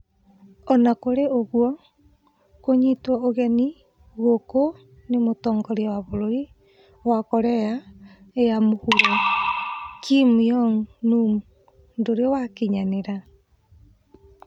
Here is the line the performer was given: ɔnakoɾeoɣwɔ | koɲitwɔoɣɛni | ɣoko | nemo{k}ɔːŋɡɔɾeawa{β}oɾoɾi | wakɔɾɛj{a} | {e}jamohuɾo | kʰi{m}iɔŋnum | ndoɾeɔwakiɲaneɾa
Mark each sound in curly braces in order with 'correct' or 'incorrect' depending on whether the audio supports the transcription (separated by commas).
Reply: incorrect, correct, correct, correct, correct